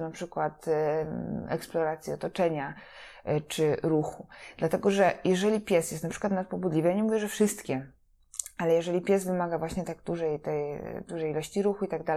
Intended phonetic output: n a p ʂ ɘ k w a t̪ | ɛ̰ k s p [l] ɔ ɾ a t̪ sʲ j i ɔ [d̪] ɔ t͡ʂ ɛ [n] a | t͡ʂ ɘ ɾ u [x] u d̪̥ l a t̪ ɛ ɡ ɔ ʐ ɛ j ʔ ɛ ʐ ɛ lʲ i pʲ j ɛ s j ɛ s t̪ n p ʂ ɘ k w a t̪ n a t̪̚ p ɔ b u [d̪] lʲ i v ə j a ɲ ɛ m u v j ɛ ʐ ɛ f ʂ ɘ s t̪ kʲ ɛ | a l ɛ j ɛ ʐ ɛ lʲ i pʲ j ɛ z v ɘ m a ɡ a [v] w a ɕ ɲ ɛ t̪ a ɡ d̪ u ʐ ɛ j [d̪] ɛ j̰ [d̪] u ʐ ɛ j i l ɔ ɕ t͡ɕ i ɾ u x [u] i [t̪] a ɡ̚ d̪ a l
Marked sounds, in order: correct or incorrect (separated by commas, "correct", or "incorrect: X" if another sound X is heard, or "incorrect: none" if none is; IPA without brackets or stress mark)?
correct, incorrect: t̪, incorrect: ɲ, correct, correct, correct, incorrect: t̪, correct, correct, correct